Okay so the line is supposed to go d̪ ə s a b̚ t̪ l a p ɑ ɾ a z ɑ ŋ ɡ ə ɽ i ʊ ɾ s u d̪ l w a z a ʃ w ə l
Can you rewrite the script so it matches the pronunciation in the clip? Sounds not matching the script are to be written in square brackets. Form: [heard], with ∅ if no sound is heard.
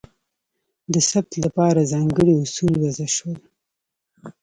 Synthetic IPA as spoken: d̪ ə s a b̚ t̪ l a p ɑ ɾ a z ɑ ŋ ɡ ə ɽ i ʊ [∅] s u [∅] l w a z a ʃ w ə l